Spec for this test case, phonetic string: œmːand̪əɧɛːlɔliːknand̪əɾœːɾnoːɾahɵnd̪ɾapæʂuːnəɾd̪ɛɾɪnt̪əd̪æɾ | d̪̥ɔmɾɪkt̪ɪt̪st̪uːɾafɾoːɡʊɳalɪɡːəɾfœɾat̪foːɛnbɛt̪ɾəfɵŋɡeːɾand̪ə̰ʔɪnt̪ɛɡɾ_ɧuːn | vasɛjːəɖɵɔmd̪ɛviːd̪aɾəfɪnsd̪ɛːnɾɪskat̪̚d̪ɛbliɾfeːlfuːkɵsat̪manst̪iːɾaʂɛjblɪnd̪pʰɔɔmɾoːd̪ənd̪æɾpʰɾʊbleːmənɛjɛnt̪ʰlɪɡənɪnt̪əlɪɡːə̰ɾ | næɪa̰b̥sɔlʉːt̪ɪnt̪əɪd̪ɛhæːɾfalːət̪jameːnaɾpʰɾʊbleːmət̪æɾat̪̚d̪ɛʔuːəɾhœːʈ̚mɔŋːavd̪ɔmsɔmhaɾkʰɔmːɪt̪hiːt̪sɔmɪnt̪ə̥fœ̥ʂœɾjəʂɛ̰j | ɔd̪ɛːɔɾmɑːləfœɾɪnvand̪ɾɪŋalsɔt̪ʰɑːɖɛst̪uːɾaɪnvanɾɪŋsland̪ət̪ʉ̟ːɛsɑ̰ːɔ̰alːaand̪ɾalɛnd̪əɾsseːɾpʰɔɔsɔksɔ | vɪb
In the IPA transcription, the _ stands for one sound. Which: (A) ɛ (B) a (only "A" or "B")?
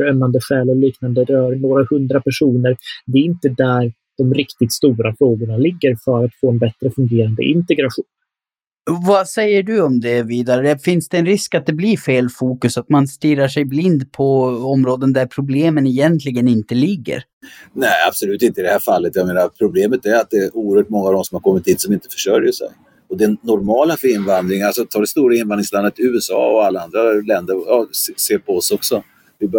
B